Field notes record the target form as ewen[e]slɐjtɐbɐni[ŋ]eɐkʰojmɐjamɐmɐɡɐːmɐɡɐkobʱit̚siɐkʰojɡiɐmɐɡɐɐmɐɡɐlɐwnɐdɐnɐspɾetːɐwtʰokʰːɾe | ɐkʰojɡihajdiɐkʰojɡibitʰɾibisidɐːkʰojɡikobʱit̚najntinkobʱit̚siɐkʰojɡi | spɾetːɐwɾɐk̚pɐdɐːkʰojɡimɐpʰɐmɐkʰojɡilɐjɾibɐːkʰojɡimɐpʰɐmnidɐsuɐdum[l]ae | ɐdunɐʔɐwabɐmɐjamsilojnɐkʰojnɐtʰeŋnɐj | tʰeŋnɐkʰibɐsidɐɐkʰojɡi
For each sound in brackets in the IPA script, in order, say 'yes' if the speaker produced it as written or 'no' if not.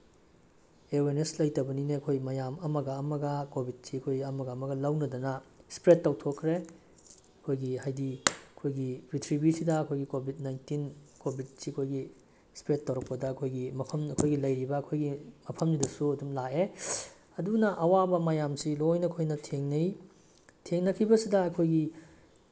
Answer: yes, no, yes

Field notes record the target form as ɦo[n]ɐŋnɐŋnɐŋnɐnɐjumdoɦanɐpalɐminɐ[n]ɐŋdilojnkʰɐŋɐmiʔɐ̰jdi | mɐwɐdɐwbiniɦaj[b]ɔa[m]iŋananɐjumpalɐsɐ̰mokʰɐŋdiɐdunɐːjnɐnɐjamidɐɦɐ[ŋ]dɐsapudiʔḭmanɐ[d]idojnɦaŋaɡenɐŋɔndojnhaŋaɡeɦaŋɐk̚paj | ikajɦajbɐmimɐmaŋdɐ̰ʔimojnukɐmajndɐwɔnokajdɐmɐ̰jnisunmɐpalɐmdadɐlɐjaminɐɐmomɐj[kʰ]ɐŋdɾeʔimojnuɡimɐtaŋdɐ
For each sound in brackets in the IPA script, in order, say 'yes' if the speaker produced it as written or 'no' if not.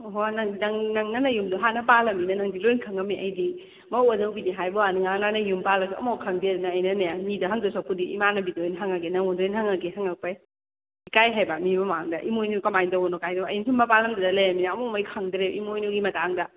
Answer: yes, yes, yes, no, yes, no, yes

